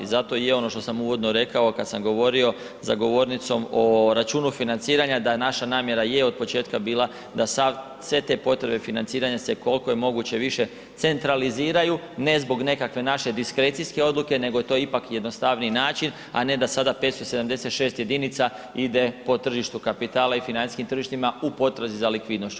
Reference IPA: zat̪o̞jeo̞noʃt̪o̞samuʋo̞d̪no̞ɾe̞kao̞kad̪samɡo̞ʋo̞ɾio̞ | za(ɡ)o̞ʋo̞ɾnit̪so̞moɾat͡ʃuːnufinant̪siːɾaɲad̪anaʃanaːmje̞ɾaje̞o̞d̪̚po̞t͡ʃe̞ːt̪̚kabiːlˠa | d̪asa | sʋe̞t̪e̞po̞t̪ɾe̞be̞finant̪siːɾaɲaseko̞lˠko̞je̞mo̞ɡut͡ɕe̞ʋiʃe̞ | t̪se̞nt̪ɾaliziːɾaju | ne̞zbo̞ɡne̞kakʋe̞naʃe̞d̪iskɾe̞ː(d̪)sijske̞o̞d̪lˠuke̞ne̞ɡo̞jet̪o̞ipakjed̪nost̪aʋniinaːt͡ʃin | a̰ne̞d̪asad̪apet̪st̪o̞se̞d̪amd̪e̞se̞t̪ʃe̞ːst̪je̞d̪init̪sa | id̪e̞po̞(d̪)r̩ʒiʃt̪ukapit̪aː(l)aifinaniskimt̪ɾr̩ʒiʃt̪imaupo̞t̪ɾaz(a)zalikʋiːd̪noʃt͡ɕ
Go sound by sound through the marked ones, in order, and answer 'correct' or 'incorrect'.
correct, incorrect, incorrect, correct, incorrect

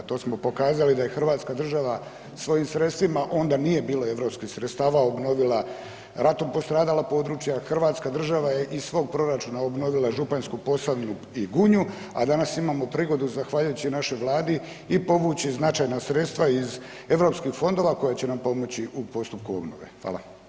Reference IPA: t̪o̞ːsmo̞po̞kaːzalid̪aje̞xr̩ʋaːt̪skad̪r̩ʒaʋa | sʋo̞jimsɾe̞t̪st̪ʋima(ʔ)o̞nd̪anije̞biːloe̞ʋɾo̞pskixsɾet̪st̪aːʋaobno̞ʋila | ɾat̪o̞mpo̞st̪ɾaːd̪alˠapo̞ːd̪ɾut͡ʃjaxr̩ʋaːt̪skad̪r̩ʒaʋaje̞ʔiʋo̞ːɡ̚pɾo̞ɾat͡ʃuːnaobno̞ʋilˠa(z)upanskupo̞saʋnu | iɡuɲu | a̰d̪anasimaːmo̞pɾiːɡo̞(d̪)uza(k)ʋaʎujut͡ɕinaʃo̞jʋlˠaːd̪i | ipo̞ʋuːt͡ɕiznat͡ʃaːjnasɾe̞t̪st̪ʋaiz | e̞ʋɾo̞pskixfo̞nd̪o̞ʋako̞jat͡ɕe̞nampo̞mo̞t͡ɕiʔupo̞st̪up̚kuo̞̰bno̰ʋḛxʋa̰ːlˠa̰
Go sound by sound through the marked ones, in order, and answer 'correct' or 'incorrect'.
correct, incorrect, correct, incorrect

